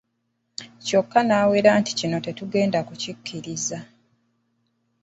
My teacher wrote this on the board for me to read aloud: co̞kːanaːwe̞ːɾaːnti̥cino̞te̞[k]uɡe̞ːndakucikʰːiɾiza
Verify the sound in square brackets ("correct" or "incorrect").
incorrect